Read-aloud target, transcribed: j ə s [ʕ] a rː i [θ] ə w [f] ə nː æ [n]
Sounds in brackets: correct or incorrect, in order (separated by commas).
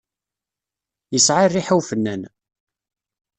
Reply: correct, incorrect, correct, correct